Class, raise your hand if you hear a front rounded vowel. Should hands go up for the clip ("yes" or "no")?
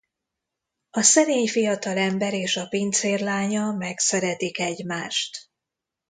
no